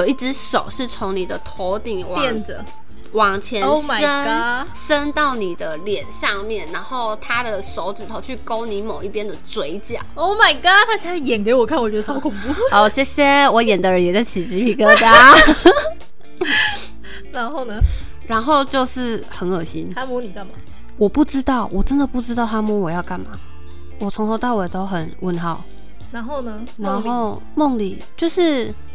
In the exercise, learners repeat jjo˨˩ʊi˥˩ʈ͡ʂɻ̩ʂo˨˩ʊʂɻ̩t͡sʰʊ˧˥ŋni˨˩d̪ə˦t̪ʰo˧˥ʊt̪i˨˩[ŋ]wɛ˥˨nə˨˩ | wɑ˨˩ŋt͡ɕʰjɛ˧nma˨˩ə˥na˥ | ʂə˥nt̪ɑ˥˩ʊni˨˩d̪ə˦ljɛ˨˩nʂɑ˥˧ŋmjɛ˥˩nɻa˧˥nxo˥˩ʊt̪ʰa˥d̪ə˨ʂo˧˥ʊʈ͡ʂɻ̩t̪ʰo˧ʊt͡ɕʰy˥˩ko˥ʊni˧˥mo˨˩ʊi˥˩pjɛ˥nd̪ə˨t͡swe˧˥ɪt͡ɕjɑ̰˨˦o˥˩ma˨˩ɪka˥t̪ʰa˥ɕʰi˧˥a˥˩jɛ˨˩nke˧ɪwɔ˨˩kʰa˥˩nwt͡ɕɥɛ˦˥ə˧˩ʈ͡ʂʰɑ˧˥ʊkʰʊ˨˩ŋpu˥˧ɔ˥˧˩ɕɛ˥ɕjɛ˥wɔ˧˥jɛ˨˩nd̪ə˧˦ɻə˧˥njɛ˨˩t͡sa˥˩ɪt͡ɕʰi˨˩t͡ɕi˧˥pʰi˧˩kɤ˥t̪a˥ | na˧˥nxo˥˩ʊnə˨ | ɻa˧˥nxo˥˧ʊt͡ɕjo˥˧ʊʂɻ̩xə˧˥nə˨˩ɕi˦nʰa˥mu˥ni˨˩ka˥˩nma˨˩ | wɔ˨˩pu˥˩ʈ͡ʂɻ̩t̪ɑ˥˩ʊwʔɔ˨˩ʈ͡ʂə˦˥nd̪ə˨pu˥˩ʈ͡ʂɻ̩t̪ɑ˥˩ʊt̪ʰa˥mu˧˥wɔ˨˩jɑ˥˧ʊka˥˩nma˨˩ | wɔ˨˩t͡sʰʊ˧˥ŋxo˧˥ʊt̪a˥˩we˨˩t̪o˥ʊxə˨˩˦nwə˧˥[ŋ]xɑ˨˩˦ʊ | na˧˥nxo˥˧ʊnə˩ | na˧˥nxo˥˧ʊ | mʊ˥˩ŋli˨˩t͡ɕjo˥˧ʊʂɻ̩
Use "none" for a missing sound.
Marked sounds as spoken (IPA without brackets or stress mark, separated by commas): ŋ, n